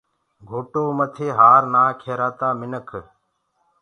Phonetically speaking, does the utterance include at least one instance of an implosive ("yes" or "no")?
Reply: no